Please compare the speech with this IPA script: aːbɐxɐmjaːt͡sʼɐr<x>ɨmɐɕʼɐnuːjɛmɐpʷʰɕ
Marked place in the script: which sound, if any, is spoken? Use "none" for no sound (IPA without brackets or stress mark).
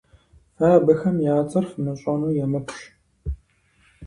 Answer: f